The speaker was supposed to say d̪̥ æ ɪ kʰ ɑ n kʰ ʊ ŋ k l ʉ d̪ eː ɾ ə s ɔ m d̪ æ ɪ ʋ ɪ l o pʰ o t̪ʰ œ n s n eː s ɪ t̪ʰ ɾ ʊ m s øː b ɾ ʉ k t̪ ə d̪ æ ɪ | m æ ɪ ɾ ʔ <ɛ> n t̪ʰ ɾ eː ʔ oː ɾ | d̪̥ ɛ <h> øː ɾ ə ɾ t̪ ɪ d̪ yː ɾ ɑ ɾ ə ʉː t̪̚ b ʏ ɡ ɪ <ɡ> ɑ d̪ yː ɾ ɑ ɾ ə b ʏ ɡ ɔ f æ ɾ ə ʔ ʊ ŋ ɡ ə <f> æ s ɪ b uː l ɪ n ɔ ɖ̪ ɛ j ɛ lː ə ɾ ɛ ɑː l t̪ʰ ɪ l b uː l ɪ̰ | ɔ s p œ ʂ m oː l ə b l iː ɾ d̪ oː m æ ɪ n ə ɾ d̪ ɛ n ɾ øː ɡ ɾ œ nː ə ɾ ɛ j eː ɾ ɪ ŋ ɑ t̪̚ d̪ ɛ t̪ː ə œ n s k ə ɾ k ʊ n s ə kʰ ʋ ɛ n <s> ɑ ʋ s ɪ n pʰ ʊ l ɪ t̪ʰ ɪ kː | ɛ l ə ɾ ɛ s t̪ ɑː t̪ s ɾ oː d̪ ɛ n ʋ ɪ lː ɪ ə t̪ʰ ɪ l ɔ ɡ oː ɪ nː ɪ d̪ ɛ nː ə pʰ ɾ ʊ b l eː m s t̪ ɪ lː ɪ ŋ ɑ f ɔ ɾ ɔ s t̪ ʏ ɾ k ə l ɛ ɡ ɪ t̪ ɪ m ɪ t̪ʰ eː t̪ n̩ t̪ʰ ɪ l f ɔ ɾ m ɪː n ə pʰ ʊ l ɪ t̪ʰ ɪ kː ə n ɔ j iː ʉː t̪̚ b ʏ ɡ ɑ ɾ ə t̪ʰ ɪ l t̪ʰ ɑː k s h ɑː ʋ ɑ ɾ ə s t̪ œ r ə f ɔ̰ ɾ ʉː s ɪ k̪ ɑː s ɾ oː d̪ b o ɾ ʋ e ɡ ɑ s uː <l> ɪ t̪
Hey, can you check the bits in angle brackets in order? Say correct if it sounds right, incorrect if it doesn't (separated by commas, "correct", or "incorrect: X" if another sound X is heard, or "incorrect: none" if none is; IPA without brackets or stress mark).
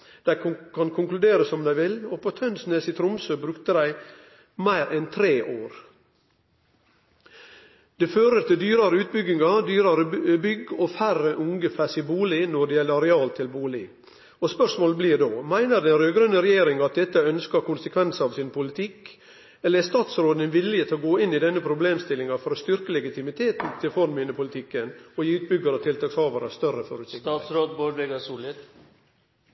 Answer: correct, incorrect: f, incorrect: ŋ, correct, correct, correct